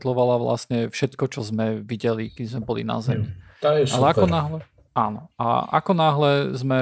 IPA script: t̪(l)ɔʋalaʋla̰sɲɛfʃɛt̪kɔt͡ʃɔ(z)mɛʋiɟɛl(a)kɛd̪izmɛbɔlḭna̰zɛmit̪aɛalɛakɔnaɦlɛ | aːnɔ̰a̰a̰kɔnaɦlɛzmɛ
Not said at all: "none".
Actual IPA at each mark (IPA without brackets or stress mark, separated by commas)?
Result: l, z, i